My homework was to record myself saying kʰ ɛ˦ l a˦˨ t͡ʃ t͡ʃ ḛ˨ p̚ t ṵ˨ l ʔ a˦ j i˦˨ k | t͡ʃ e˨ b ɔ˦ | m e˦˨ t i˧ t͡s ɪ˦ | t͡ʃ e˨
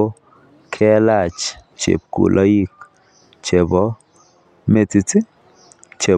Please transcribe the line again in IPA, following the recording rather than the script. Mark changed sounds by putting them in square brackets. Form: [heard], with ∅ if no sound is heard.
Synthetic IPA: kʰ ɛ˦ l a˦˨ t͡ʃ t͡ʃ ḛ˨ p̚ [k] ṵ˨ l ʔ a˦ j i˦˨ k | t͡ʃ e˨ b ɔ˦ | m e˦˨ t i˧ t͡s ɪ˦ | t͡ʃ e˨

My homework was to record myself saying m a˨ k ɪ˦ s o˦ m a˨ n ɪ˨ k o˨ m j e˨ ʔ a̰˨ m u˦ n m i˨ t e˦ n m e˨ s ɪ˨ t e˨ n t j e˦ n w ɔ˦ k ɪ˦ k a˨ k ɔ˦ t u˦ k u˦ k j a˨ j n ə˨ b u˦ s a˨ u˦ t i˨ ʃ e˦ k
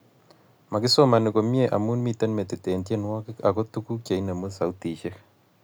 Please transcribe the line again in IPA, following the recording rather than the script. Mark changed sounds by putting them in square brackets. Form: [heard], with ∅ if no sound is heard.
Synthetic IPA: m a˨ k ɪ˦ s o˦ m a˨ n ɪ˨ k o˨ m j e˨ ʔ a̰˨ m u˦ n m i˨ t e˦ n m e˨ [t] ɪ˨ t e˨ n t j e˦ n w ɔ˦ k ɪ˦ k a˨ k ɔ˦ t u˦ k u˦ k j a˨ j n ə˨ [m] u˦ s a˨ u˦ t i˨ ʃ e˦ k

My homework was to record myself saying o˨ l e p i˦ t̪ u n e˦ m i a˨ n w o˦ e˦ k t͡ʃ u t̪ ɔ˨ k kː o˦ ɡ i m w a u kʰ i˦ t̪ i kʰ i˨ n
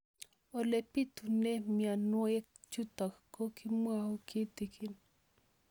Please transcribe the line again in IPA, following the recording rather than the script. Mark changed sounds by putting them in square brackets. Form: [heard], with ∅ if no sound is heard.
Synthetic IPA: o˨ l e p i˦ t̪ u n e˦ m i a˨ n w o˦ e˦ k t͡ʃ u t̪ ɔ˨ k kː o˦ [k] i m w a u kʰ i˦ t̪ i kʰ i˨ n

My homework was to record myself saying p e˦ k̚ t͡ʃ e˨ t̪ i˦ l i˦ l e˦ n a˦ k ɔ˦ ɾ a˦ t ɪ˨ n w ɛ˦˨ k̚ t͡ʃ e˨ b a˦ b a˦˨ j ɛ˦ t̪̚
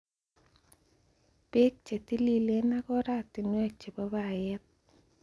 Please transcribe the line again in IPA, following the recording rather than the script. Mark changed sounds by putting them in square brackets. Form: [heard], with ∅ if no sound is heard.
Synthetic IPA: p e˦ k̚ t͡ʃ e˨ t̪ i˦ l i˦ l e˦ n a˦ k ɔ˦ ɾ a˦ t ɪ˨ n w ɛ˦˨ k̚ t͡ʃ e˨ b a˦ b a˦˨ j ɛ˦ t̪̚

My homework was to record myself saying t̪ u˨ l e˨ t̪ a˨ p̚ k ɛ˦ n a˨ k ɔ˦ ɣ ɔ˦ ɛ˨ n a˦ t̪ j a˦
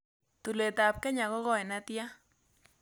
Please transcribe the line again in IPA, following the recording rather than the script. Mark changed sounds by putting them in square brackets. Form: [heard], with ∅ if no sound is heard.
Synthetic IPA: t̪ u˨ l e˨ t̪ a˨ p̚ k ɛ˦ [ɲ] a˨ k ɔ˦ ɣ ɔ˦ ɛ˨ n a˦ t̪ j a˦

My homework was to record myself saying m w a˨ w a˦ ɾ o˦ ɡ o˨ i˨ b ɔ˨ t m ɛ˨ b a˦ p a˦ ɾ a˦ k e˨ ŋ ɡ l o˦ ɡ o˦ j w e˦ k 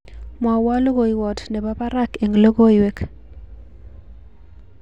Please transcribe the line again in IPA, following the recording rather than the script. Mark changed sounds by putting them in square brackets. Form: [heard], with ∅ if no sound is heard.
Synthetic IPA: m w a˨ w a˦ [l] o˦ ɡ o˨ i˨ [w] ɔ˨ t [n] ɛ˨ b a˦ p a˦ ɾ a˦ k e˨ ŋ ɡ l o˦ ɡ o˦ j w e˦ k

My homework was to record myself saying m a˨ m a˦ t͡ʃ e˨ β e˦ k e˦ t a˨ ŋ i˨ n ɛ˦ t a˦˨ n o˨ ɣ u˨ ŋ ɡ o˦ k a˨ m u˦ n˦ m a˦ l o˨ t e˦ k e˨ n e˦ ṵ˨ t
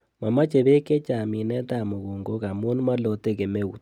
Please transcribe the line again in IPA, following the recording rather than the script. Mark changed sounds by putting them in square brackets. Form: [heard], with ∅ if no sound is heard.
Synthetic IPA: m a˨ m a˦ t͡ʃ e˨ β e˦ k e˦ [t͡ʃ] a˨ [m] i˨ n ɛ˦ t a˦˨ [m] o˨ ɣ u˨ ŋ ɡ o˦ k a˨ m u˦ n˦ m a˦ l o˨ t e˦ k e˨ [m] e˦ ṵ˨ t

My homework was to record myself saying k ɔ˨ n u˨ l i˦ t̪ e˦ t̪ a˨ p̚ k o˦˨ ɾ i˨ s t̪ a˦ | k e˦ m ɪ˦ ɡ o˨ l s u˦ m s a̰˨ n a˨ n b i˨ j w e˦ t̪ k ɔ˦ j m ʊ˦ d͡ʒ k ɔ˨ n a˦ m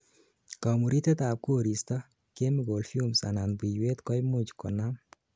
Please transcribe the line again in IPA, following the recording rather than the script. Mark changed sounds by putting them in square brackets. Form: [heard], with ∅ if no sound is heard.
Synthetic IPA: k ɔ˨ [m] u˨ [ɾ] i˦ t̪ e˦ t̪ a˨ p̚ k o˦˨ ɾ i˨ s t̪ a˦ | k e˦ m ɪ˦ ɡ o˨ l [f] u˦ m s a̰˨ n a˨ n b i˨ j w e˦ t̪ k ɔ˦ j m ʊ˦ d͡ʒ k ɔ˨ n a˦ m

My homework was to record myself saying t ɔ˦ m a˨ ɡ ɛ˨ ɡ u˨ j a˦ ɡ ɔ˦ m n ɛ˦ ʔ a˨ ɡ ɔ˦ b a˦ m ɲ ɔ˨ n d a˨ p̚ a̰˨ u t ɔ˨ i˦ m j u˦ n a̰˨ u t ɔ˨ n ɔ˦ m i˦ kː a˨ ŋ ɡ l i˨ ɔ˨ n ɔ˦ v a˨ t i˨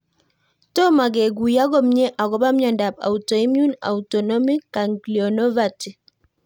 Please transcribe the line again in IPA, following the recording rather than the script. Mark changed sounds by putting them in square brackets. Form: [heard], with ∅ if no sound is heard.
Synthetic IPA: t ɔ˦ m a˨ ɡ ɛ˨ ɡ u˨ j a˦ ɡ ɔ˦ m [ɲ] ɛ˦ ʔ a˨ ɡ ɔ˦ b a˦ m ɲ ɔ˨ n d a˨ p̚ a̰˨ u t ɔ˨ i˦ m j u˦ n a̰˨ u t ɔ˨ n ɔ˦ m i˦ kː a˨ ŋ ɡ l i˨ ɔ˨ n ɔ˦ v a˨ t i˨

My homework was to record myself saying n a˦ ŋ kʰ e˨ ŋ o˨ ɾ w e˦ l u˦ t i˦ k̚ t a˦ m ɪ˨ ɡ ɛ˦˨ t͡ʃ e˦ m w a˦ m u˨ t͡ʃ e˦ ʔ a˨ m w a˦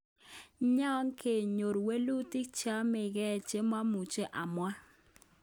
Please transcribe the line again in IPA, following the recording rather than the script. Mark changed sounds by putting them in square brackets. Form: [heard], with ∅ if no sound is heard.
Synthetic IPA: [ɲ] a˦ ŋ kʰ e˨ [ɲ] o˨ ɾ w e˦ l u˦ t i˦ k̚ [t͡ʃ] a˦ m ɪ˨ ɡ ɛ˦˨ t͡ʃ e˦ m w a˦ m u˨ t͡ʃ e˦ ʔ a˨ m w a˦

